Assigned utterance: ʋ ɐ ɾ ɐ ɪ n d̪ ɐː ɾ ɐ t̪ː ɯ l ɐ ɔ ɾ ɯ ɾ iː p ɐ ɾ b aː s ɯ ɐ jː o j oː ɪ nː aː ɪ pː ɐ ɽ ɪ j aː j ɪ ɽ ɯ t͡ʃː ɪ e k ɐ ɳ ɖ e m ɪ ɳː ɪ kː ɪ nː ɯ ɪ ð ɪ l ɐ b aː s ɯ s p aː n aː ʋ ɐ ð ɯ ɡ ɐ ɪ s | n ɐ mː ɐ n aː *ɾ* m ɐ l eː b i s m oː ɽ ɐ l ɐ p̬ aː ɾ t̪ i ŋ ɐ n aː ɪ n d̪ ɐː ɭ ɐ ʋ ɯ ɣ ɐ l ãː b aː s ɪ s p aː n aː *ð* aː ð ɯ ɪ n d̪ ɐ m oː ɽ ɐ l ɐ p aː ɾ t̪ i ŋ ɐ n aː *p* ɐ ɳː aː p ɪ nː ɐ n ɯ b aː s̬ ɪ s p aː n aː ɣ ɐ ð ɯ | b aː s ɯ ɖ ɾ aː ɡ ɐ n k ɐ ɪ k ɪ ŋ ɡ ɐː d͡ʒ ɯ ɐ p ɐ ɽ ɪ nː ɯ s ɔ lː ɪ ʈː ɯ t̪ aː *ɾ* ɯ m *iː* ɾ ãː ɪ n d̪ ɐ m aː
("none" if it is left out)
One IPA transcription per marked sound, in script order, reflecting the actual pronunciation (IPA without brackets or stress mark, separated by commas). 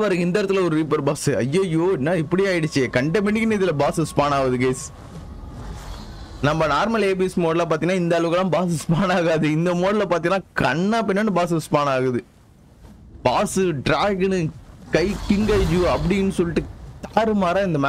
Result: ɾ, ɣ, k, ɾ, aː